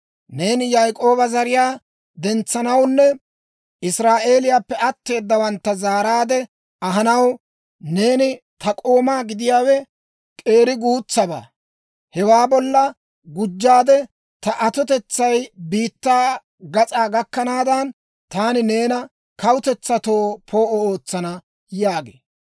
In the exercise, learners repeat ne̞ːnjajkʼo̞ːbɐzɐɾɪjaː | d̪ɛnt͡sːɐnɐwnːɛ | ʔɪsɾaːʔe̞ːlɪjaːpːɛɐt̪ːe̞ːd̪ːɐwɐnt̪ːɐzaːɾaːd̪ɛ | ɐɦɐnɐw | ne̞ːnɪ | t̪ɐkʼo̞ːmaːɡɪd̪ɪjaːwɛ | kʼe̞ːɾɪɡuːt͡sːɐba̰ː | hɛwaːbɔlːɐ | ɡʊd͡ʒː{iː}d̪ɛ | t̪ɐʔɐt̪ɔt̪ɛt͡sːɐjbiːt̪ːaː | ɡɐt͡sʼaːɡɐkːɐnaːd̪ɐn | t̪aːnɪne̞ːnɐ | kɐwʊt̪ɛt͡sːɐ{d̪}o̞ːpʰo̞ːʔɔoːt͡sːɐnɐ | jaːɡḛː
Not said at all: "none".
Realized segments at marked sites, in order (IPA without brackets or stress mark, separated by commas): aː, t̪